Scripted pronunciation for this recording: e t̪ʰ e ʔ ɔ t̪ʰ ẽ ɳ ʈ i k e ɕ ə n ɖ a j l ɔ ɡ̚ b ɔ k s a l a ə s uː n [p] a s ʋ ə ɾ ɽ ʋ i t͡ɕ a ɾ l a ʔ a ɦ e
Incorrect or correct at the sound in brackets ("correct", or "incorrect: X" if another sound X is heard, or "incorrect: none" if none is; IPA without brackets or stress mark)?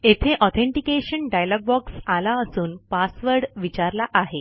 correct